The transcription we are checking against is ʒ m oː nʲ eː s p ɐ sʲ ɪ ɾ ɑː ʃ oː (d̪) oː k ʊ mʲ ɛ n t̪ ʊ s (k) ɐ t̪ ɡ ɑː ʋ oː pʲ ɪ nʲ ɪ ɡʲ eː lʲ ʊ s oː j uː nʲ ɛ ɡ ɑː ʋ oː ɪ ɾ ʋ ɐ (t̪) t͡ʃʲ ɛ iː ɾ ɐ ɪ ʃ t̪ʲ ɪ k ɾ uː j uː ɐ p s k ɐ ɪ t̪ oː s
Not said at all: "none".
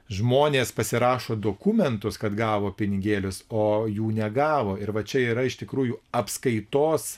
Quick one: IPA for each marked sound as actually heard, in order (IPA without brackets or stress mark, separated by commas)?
d̪, k, none